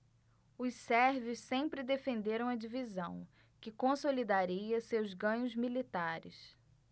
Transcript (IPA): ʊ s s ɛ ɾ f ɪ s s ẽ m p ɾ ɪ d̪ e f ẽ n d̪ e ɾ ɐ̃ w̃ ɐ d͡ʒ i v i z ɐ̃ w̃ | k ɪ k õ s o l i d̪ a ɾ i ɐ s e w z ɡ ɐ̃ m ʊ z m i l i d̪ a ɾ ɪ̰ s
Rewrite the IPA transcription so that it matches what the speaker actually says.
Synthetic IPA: ʊ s s ɛ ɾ v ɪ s s ẽ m p ɾ ɪ d̪ e f ẽ n d̪ e ɾ ɐ̃ w̃ ɐ d͡ʒ i v i z ɐ̃ w̃ | k ɪ k õ s o l i d̪ a ɾ i ɐ s e w z ɡ ɐ̃ ɲ ʊ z m i l i t̪ a ɾ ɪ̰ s